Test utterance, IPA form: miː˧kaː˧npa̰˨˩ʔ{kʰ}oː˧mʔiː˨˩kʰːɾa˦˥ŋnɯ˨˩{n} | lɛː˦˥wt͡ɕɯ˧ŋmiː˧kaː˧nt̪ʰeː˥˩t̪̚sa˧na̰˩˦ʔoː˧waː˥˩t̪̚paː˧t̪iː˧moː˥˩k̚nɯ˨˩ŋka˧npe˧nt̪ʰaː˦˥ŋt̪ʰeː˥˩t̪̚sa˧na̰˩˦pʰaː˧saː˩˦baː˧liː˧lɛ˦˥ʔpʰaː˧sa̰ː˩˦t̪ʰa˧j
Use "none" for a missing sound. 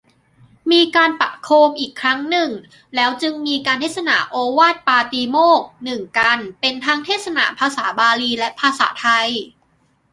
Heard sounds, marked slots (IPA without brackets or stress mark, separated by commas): kʰ, ŋ